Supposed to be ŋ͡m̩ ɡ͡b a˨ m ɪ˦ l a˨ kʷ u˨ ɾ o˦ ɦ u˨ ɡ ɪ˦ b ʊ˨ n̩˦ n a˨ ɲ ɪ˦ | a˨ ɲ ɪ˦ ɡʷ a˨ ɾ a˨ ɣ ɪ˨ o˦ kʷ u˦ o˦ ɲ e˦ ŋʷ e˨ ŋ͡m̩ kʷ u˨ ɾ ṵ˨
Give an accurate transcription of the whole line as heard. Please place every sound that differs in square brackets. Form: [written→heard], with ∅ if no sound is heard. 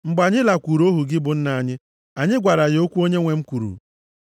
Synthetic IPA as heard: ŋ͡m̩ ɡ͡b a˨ [m→ɲ] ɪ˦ l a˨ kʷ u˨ ɾ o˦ ɦ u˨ ɡ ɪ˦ b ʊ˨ n̩˦ n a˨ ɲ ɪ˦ | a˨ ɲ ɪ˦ ɡʷ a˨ ɾ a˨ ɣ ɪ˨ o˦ kʷ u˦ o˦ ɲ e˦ ŋʷ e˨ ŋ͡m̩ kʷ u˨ ɾ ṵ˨